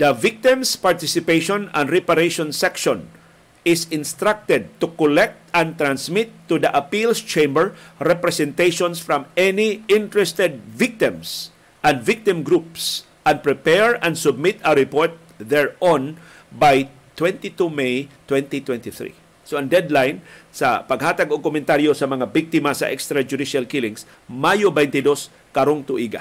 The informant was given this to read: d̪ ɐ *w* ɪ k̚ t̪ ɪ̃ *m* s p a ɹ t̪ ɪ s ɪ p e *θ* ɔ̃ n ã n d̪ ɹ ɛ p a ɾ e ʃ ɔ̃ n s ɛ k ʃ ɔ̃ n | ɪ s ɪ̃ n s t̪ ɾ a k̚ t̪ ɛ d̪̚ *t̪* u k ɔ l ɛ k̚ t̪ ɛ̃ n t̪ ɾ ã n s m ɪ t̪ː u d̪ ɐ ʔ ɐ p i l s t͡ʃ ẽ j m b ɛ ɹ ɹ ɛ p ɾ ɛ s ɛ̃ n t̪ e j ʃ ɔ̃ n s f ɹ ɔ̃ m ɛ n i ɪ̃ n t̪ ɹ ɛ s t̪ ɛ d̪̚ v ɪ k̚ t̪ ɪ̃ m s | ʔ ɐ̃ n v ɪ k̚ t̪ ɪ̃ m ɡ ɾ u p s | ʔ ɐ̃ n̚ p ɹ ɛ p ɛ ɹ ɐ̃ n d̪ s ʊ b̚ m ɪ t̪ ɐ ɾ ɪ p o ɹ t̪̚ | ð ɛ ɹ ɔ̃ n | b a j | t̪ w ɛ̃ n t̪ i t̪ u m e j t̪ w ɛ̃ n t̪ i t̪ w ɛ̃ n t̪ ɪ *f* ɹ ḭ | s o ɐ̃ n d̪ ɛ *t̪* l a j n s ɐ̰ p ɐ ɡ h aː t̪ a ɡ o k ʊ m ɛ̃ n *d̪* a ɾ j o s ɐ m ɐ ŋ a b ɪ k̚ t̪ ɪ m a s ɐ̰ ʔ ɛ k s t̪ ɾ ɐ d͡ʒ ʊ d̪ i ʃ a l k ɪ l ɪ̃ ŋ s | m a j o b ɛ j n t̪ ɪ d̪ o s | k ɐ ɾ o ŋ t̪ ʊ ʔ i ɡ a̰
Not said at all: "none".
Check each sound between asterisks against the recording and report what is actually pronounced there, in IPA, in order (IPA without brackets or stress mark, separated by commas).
v, m, ʃ, t̪, θ, d̪, t̪